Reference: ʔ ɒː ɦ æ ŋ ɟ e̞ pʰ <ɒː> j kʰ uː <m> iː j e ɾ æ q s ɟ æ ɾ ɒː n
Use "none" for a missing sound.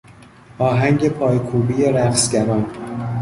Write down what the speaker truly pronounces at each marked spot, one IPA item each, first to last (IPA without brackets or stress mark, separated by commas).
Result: ɒː, b